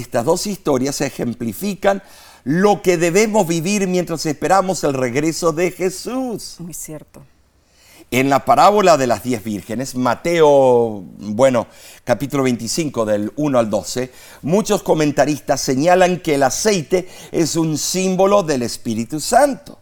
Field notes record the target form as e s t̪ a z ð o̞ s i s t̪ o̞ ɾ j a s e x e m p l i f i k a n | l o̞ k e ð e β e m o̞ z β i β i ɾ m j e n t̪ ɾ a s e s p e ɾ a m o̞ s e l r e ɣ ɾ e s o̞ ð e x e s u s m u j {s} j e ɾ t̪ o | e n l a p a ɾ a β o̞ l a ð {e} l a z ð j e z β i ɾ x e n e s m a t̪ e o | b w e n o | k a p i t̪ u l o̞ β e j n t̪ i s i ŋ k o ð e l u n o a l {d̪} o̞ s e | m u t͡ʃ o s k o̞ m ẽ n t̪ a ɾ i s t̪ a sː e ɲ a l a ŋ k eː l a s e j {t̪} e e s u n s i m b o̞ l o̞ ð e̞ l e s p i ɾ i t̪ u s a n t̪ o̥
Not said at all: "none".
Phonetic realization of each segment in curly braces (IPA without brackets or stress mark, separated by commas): s, e, d̪, t̪